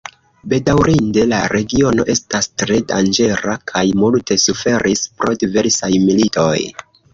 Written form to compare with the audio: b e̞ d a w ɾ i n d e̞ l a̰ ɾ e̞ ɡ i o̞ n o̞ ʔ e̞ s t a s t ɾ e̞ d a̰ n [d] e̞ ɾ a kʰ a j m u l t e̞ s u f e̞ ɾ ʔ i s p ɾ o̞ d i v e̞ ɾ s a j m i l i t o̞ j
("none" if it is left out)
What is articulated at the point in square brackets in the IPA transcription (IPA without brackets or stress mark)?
d͡ʒ